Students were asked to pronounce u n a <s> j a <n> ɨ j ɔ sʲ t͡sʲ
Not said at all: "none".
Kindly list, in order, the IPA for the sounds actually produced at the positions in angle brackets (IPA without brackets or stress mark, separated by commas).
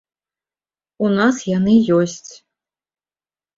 s, n